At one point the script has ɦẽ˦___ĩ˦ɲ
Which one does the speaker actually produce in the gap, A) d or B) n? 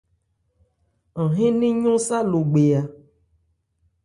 B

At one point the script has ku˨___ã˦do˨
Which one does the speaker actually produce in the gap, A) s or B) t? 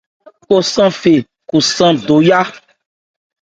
A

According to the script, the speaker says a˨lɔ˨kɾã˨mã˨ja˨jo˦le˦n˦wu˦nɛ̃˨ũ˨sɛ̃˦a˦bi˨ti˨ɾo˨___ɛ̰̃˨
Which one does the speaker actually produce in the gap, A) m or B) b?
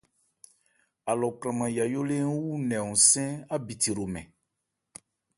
A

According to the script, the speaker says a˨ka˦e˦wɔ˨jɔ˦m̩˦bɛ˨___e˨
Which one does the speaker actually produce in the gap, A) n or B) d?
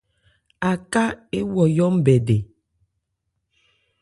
B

